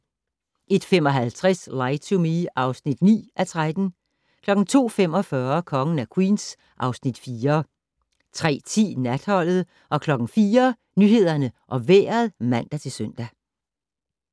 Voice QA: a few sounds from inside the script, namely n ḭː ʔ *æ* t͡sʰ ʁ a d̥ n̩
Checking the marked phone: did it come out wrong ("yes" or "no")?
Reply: no